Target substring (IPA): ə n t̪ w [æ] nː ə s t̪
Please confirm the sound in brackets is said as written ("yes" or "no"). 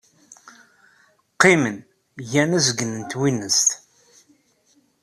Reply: no